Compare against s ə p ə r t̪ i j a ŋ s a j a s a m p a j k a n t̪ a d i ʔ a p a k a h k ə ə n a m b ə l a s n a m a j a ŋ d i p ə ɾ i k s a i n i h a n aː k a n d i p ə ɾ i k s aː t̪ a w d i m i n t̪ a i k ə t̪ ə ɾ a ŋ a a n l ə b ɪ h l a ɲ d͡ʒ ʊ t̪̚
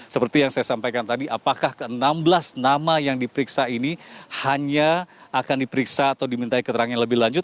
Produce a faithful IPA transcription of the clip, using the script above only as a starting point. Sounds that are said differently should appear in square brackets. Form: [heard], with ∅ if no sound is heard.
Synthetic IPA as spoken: s ə p ə r t̪ i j a ŋ s a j a s a m p a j k a n t̪ a d i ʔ a p a k a h k ə ə n a m b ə l a s n a m a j a ŋ d i p ə ɾ i k s a i n i h a [ɲ] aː k a n d i p ə ɾ i k s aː t̪ a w d i m i n t̪ a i k ə t̪ ə ɾ a ŋ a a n l ə b ɪ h l a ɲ d͡ʒ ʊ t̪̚

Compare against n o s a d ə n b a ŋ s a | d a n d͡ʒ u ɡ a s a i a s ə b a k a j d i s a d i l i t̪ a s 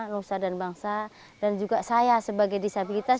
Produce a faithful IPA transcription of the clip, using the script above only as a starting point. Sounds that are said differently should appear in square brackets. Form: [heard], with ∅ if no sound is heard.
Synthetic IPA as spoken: n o s a d [a] n b a ŋ s a | d a n d͡ʒ u ɡ a s a [j] a s ə b a [ɡ] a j d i s a [b] i l i t̪ a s

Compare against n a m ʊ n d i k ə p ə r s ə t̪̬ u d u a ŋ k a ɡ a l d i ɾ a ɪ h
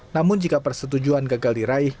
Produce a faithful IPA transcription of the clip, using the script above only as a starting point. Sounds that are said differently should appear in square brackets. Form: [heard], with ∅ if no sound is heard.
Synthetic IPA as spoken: n a m ʊ n [d͡ʒ] i k [a] p ə r s ə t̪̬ u [d͡ʒ] u a [n] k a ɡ a l d i ɾ a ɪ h

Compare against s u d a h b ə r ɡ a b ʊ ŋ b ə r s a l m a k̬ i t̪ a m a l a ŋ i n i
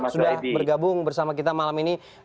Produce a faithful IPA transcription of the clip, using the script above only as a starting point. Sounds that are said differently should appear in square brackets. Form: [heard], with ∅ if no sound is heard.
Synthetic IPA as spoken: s u d a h b ə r ɡ a b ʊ ŋ b ə r s a [∅] m a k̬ i t̪ a m a l a [m] i n i

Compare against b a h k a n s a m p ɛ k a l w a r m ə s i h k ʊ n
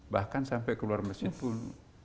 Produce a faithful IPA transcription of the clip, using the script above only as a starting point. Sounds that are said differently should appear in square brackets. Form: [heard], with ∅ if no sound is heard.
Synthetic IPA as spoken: b a h k a n s a m p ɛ k [ə] l [u] a r m ə s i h [p] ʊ n

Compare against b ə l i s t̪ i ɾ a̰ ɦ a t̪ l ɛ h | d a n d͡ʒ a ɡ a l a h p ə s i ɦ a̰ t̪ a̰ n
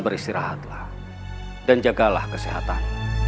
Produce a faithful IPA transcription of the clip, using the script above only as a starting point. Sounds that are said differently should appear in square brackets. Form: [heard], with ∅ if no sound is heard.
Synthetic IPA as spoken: b ə [ɾ] i s t̪ i ɾ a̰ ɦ a t̪ l [a] h | d a n d͡ʒ a ɡ a l a h [k] ə s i ɦ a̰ t̪ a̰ n

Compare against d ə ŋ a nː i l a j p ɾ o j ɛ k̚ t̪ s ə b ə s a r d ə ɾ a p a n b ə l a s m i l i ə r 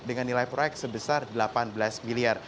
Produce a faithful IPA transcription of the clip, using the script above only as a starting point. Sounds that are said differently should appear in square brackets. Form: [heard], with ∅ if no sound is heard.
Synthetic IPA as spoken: d ə ŋ a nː i l a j p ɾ o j ɛ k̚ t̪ s ə b ə s a r d ə [l] a p a n b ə l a s m i l i [a] r

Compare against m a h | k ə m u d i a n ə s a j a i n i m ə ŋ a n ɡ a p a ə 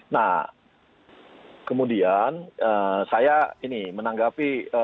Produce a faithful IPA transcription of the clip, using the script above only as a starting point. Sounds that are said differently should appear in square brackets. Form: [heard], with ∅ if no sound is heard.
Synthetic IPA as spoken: [n] a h | k ə m u d i a n ə s a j a i n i m ə [n] a [ŋ] ɡ a p [i] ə

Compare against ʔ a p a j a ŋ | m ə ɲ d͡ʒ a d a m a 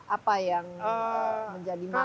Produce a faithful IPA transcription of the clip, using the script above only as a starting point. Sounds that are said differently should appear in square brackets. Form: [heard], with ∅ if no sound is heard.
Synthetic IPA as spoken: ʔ a p a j a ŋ | m ə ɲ d͡ʒ a d [i] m a

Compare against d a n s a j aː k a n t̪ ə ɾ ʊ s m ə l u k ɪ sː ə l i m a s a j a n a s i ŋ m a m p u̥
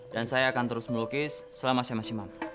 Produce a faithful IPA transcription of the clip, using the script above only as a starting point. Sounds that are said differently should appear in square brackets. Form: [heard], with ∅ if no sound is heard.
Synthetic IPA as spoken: d a n s a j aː k a n t̪ ə ɾ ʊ s m ə l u k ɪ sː ə l [a] m a s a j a [m] a s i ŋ m a m p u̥

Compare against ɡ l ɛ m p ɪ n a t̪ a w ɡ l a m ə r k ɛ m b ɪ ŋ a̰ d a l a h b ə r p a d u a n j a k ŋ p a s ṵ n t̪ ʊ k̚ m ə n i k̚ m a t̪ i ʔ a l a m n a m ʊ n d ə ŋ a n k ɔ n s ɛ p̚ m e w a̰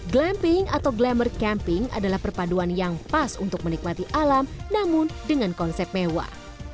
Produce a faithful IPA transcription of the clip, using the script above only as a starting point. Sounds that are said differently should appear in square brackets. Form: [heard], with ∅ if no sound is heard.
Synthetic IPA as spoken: ɡ l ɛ m p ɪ [ŋ] a t̪ a w ɡ l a m ə r k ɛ m [p] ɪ ŋ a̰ d a l a h [p] ə r p a d u a n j a [∅] ŋ p a s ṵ n t̪ ʊ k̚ m ə n i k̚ m a t̪ i ʔ a l a m n a m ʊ n d ə ŋ a n k ɔ n s ɛ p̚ m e w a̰

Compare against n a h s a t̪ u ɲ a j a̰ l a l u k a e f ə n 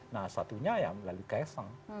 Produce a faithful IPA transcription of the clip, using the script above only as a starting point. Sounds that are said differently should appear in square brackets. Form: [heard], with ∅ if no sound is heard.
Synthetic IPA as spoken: n a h s a t̪ u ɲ a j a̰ l a l u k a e [s] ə [ŋ]

